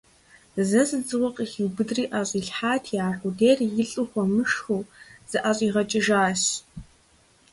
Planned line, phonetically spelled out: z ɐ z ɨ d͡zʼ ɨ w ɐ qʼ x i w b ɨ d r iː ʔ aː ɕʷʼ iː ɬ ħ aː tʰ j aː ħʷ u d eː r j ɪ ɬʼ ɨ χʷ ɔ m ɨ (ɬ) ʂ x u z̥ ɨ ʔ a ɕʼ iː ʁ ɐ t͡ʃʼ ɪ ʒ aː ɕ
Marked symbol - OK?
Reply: no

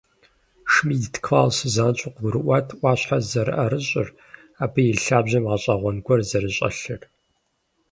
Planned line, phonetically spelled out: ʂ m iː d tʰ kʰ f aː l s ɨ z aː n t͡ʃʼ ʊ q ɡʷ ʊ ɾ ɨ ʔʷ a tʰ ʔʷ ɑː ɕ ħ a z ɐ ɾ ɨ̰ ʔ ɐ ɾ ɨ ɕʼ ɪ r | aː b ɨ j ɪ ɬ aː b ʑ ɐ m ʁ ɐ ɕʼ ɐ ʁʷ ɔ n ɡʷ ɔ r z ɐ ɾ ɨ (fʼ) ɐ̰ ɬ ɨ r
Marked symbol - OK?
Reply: no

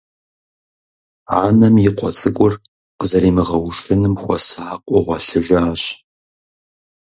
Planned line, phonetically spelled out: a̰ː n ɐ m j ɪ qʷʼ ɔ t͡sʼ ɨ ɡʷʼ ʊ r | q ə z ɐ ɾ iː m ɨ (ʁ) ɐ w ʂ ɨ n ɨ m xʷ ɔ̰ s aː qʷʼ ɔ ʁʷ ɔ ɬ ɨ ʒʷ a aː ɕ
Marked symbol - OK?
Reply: yes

